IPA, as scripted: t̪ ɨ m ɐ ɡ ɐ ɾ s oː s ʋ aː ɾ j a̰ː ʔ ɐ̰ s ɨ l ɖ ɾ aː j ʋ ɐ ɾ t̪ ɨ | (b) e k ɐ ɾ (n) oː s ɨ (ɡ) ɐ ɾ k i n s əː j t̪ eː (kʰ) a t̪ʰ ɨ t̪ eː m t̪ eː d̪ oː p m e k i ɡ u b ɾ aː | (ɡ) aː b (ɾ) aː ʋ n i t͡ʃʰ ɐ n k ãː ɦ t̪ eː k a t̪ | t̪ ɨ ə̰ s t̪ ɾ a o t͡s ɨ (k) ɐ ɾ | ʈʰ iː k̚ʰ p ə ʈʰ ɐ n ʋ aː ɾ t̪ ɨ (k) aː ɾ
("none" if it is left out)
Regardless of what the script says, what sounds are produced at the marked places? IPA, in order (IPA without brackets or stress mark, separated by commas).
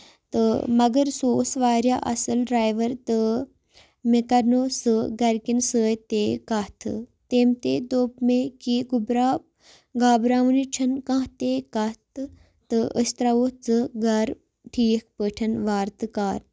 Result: m, n, ɡ, k, ɡ, ɾ, ɡ, k